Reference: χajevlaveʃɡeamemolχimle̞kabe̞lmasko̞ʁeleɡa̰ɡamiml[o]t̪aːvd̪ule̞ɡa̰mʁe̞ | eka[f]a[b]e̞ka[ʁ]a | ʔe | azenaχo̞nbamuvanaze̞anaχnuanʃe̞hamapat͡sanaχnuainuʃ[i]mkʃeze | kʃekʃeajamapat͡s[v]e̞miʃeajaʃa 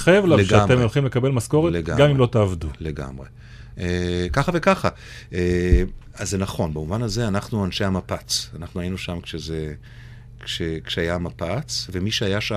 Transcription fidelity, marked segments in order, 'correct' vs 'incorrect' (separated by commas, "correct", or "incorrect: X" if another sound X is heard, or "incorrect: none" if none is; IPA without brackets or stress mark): correct, incorrect: χ, incorrect: v, incorrect: χ, incorrect: a, correct